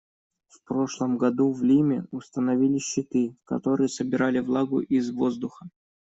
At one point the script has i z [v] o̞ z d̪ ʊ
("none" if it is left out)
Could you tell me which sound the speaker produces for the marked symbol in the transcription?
v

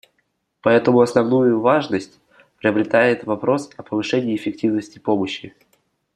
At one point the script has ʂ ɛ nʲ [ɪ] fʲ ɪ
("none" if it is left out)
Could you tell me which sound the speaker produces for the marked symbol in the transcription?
ɪː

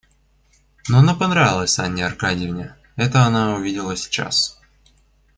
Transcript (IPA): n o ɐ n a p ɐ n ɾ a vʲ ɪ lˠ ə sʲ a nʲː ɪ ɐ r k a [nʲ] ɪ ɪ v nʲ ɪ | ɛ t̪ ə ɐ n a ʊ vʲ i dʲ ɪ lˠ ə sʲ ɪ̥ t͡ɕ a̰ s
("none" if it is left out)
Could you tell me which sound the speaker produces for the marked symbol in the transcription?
dʲ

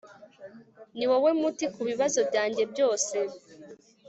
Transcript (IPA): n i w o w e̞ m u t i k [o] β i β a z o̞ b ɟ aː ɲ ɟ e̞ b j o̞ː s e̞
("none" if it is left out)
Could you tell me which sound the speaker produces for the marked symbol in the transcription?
u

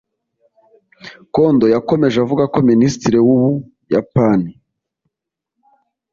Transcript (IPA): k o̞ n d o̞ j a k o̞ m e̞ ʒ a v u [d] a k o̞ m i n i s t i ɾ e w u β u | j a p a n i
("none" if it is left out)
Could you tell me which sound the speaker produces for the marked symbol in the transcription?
ɡ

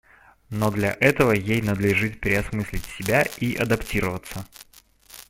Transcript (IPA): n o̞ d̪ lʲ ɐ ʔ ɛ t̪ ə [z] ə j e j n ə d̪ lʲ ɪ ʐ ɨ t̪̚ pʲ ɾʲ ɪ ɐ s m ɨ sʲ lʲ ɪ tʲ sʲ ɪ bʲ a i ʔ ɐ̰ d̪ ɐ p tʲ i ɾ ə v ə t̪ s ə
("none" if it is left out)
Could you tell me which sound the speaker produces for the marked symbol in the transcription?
v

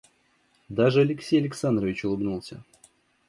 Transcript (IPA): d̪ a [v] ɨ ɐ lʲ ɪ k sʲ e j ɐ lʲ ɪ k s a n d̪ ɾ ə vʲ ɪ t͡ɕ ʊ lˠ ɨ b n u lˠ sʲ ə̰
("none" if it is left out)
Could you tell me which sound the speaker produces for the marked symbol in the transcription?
ʐ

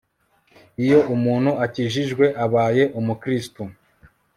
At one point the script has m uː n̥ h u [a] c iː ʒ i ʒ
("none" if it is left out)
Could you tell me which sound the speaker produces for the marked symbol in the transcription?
a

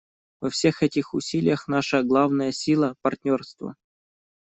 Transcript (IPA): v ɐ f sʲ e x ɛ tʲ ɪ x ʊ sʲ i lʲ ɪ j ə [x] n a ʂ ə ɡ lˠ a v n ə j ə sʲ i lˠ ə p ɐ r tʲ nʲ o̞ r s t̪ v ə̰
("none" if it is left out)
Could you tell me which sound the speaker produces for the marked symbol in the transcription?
x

